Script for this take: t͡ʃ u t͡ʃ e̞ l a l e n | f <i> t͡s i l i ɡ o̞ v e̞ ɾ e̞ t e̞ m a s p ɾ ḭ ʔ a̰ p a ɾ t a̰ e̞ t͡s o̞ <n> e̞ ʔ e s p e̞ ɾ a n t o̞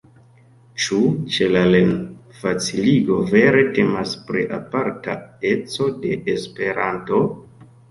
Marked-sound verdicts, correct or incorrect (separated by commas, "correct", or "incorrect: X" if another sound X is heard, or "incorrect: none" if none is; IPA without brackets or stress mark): incorrect: a, incorrect: d